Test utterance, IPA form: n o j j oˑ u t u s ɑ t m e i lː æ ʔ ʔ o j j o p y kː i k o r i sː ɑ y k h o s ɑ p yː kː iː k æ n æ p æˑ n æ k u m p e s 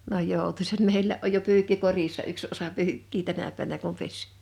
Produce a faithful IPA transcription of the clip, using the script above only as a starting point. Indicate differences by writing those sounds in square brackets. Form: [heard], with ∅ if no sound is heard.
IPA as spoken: n o j j oˑ u t u s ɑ t m e i lː æ ʔ ʔ o j j o p [yː] kː i k o r i sː ɑ y k [s] o s ɑ p yː kː iː [t] æ n æ p æˑ n æ k u m p e s